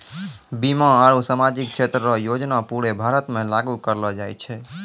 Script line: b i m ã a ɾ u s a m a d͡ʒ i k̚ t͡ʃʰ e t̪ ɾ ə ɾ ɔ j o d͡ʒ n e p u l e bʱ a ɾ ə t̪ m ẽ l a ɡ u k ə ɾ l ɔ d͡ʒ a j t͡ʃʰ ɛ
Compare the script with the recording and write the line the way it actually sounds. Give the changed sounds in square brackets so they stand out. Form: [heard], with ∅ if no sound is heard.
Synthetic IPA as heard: b i m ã a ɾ u s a m a d͡ʒ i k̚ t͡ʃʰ e t̪ ɾ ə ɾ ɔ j o d͡ʒ n [a] p u [ɽ] e bʱ a ɾ ə t̪ m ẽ l a ɡ u k ə ɾ l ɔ d͡ʒ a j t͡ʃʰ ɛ